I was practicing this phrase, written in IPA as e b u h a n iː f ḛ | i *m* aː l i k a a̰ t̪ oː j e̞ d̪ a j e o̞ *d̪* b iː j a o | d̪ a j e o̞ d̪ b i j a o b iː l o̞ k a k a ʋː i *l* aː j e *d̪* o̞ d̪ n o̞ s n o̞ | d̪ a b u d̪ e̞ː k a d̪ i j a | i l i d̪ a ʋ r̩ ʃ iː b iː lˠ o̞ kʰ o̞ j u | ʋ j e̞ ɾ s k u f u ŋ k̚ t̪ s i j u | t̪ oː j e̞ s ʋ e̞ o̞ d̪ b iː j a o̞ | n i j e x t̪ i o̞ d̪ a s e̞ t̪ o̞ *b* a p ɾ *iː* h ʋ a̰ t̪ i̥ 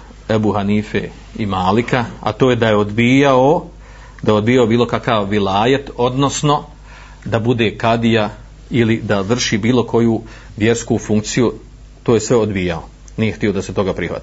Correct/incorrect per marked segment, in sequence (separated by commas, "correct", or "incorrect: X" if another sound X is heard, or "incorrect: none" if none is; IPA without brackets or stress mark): correct, correct, correct, incorrect: t̪, incorrect: ɡ, incorrect: i